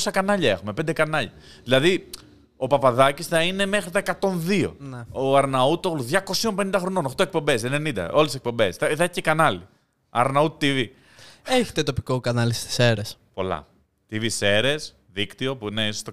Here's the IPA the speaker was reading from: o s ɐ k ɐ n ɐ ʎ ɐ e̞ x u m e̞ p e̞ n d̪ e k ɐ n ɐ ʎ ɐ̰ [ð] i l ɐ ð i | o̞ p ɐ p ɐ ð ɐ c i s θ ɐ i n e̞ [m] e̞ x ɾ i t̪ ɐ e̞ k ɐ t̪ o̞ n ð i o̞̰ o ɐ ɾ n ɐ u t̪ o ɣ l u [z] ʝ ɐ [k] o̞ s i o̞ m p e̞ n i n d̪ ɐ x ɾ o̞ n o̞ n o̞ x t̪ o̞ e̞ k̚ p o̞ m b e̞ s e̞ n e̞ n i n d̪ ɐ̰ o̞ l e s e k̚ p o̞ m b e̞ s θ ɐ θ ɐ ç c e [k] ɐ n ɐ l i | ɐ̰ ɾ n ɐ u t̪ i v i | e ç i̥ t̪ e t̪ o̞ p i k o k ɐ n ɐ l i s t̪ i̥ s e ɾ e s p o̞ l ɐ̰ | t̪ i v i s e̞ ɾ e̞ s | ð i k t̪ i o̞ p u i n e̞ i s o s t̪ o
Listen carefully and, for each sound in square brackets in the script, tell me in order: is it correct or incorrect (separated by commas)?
correct, correct, incorrect, correct, correct